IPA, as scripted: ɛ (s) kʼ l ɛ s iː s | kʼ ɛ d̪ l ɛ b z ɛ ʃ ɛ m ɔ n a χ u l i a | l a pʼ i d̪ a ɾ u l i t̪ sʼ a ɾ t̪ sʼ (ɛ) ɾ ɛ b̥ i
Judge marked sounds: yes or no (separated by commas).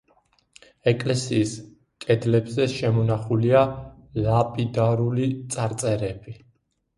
no, yes